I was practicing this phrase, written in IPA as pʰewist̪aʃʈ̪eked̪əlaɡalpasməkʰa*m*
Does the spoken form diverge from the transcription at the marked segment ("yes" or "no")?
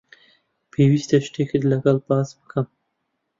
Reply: no